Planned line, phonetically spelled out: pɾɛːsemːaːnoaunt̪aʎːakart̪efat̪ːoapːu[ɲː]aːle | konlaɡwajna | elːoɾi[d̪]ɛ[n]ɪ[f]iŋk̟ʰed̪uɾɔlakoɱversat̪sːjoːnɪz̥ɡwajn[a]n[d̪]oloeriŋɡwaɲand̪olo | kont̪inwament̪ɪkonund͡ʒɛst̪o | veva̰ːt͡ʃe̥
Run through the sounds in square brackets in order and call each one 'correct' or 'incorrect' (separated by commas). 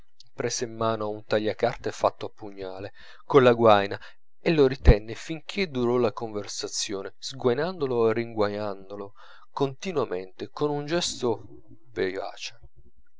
correct, incorrect, incorrect, correct, correct, correct